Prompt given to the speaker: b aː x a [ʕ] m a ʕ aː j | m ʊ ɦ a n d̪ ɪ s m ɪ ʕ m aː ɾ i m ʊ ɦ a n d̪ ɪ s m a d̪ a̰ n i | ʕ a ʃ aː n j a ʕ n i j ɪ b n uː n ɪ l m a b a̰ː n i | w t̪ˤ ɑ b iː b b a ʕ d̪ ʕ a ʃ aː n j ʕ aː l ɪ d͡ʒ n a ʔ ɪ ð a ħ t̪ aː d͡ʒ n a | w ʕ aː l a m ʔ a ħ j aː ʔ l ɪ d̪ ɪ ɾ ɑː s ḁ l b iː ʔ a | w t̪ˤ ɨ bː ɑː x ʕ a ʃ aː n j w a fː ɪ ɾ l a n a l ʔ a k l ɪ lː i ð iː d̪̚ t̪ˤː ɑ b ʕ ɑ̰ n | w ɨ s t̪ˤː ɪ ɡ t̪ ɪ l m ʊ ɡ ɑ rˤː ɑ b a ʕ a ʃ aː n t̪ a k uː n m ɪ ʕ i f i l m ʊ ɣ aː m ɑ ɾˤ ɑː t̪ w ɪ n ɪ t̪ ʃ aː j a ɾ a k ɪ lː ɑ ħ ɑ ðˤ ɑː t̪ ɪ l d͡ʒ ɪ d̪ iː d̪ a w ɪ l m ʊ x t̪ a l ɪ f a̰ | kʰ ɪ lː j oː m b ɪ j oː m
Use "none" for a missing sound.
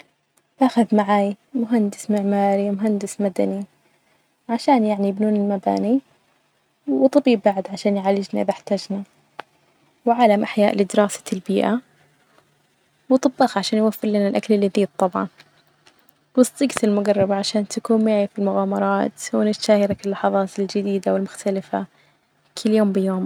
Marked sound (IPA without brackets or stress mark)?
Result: ð